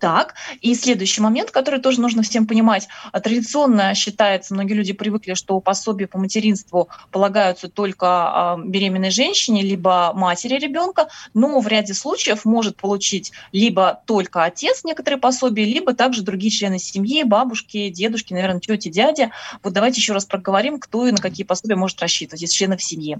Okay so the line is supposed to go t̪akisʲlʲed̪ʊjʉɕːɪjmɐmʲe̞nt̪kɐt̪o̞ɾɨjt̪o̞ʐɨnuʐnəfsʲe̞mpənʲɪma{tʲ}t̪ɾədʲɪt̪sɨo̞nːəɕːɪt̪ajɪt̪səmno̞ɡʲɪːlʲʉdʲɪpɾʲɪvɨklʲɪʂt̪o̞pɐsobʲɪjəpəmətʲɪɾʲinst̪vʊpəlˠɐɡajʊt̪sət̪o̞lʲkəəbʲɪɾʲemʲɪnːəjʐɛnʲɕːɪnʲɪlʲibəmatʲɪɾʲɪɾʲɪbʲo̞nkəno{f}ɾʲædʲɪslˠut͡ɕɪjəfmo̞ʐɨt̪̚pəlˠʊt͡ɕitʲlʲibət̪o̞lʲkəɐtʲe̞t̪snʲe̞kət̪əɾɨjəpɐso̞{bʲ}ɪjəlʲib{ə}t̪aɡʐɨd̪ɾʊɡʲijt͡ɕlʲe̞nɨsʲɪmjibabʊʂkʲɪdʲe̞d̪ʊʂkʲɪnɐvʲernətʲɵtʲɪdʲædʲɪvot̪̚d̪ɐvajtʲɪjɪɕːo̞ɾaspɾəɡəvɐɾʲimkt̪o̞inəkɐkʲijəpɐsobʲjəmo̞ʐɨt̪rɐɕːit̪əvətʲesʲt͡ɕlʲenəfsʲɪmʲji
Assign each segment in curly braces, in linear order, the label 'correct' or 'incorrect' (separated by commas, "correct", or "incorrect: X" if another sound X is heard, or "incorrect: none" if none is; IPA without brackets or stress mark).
correct, incorrect: v, correct, correct